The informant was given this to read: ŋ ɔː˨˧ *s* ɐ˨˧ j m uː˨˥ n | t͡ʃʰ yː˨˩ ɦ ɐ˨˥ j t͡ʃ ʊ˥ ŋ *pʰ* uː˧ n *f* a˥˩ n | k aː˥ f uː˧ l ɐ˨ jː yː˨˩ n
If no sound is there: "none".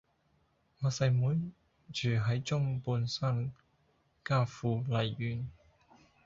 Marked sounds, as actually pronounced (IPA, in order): s, p, s

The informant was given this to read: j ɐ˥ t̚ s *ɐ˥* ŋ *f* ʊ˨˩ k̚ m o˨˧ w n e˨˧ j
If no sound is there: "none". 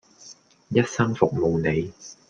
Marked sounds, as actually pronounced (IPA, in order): ɐ˥, f

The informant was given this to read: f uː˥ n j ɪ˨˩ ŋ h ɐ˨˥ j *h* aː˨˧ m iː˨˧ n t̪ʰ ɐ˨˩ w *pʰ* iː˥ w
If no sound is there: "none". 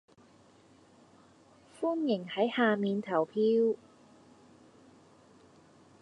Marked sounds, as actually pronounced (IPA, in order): h, pʰ

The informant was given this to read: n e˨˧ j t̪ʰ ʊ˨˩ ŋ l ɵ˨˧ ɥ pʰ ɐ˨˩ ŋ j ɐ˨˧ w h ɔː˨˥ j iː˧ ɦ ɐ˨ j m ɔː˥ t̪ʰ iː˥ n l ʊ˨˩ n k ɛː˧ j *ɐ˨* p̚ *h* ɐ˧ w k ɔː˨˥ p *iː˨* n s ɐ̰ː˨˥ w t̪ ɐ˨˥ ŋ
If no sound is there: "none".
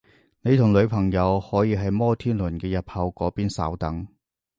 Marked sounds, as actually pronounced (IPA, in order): ɐ˨, h, iː˥

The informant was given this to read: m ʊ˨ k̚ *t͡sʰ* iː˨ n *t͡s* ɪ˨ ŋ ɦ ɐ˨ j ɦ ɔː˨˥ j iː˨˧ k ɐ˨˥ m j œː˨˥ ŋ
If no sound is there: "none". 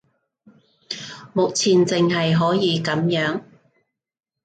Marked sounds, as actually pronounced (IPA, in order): t͡sʰ, t͡s

